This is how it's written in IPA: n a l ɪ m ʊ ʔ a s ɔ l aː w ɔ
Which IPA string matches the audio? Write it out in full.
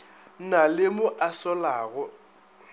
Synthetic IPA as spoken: n a l ɪ m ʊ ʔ a s ɔ l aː ɣ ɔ